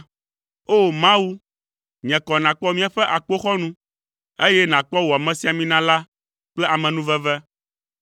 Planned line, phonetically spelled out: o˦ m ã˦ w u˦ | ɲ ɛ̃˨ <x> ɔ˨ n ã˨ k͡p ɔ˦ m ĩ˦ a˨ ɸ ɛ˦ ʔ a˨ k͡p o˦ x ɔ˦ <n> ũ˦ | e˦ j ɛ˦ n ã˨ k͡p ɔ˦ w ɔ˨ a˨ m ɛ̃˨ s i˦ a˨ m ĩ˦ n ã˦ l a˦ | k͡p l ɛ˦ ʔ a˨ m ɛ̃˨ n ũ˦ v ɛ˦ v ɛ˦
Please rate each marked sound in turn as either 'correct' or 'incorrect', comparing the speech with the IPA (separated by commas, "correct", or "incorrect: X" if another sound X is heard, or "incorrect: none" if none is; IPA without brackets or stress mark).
incorrect: k, correct